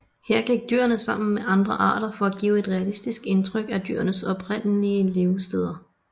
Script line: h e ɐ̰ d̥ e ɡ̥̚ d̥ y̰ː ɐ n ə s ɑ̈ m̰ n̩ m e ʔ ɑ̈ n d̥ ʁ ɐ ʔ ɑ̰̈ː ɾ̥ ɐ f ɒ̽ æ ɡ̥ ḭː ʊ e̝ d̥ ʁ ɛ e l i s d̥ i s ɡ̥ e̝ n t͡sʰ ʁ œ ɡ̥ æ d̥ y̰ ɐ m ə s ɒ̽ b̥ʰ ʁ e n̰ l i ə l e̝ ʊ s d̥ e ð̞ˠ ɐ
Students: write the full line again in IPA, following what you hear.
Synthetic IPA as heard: h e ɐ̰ ɡ̥ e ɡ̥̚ d̥ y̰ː ɐ n ə s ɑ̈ m̰ n̩ m e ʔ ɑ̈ n d̥ ʁ ɐ ʔ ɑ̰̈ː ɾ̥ ɐ f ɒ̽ æ ɡ̥ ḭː ʊ e̝ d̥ ʁ ɛ æ l i s d̥ i s ɡ̥ e̝ n t͡sʰ ʁ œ ɡ̥ æ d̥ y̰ ɐ n ə s ɒ̽ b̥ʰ ʁ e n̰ l i ə l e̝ ʊ s d̥ e ð̞ˠ ɐ